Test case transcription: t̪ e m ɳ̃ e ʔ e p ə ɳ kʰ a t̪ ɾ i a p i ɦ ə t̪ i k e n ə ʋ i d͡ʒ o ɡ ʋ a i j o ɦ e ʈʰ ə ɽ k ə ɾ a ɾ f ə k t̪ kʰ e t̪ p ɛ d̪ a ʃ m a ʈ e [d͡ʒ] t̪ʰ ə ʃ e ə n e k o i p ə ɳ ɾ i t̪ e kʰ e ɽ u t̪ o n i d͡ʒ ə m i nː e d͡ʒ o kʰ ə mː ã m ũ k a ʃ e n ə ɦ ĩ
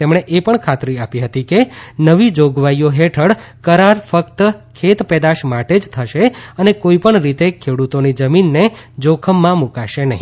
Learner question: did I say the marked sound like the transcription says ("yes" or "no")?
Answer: yes